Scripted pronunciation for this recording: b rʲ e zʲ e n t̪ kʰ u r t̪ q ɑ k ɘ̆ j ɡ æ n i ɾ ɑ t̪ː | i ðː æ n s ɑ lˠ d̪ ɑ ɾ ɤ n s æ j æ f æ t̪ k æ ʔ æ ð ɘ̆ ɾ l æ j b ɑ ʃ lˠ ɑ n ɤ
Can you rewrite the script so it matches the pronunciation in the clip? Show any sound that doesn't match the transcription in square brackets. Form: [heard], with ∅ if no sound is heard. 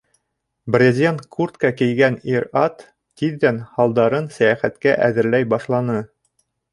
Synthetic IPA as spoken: b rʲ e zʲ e n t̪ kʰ u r t̪ [k] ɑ k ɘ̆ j ɡ æ n i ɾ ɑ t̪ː | i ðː æ n [h] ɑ lˠ d̪ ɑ ɾ ɤ n s æ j æ [χ] æ t̪ k æ ʔ æ ð ɘ̆ ɾ l æ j b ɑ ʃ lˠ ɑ n ɤ